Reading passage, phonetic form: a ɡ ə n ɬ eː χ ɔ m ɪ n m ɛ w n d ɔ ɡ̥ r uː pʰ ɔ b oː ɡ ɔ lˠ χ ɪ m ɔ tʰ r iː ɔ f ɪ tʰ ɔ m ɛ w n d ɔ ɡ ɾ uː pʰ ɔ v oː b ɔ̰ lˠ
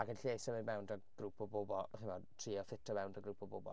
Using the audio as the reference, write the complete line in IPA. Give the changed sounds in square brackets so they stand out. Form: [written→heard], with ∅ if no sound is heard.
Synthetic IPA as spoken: a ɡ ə n ɬ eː [χ→s] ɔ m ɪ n m ɛ w n d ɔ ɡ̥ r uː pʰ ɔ b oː [ɡ→b] ɔ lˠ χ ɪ m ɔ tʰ r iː ɔ f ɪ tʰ ɔ m ɛ w n d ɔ ɡ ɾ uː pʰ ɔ [v→b] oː b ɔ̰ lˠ